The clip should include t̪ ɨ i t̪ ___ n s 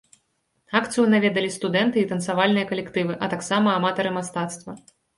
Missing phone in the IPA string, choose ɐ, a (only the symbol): ɐ